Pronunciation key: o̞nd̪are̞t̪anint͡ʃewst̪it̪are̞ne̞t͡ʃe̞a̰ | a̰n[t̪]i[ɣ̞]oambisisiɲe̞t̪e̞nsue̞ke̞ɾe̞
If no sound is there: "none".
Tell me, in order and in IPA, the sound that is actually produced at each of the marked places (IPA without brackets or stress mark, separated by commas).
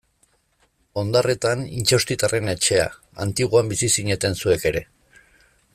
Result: t̪, ɣ̞